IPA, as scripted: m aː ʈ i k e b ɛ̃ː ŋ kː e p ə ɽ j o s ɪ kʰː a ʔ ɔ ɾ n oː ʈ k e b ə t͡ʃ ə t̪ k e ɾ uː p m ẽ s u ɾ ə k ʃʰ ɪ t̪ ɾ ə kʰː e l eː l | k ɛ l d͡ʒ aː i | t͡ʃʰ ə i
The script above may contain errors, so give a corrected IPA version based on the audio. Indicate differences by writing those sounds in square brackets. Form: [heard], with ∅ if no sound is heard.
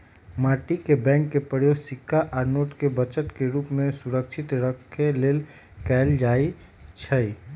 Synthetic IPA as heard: m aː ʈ i k e b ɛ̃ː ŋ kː e p ə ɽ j o s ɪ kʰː a ʔ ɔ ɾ n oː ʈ k e b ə t͡ʃ ə t̪ k e ɾ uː p m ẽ s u ɾ ə k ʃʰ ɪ t̪ ɾ ə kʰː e l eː l | k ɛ l d͡ʒ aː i | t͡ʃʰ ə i